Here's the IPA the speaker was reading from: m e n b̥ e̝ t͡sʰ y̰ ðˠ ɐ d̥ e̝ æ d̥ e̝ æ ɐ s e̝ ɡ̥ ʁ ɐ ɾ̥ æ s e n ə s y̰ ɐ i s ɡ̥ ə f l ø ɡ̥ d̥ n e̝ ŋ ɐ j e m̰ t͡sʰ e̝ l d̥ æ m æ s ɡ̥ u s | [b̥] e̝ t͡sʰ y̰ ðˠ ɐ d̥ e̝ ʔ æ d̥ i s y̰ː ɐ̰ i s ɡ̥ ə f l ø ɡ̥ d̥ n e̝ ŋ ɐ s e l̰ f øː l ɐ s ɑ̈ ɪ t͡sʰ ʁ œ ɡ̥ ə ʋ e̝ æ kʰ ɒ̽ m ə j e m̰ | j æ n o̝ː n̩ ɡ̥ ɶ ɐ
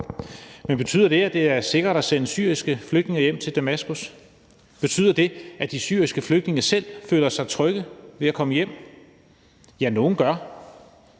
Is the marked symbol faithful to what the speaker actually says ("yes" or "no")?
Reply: yes